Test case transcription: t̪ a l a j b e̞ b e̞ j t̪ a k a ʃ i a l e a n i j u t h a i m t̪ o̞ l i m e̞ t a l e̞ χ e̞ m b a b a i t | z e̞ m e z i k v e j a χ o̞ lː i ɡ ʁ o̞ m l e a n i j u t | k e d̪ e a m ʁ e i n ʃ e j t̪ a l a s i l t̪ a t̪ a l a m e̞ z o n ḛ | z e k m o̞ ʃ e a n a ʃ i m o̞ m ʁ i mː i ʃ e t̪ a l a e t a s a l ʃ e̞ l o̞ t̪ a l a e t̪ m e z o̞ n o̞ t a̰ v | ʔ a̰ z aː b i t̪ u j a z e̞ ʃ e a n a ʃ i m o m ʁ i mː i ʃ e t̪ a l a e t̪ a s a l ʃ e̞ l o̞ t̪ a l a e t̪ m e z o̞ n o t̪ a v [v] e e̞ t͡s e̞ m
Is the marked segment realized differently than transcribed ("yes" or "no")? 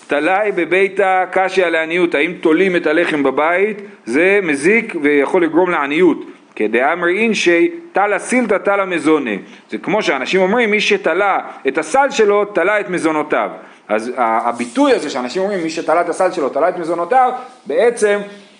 yes